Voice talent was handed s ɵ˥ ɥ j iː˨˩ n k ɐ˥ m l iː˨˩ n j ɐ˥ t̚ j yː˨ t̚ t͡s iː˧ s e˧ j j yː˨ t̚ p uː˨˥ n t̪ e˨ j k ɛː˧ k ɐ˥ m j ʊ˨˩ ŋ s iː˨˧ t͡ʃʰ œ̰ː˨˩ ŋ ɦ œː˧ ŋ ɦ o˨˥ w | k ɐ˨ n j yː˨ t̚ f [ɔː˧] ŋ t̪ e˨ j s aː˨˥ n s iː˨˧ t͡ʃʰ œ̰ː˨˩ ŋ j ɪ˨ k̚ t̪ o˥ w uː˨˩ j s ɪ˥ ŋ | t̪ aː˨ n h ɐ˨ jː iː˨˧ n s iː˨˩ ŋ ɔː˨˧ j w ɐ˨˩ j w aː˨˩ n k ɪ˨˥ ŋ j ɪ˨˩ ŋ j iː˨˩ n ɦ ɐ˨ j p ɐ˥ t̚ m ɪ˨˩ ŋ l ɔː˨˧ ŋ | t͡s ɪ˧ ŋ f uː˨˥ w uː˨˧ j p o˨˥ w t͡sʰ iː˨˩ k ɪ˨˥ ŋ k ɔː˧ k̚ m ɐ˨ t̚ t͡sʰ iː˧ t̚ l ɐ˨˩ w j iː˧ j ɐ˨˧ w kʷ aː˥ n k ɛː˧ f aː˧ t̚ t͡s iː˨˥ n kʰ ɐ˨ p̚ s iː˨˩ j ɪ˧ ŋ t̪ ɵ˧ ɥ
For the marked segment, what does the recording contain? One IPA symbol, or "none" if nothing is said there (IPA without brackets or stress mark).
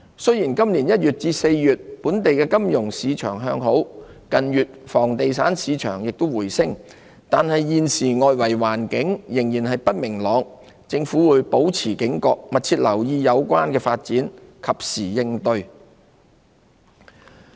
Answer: ɔː˨˩